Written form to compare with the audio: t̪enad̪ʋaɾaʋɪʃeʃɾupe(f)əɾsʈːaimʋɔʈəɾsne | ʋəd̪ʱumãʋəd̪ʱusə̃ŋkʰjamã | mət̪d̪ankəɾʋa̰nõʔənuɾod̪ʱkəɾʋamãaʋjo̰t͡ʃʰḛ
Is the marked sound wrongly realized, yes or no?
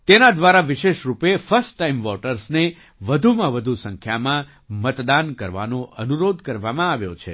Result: no